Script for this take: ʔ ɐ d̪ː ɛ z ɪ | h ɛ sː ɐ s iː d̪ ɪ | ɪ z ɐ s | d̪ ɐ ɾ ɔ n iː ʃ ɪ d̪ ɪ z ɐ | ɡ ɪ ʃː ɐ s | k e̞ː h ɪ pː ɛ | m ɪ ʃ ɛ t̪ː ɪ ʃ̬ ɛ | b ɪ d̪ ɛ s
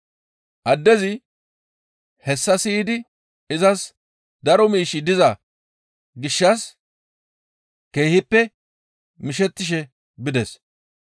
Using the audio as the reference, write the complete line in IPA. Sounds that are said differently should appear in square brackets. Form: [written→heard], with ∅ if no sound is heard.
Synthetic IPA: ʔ ɐ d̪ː ɛ z ɪ | h ɛ sː ɐ s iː d̪ ɪ | ɪ z ɐ s | d̪ ɐ ɾ ɔ [n→m] iː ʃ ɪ d̪ ɪ z ɐ | ɡ ɪ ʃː ɐ s | k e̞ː h ɪ pː ɛ | m ɪ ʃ ɛ t̪ː ɪ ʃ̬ ɛ | b ɪ d̪ ɛ s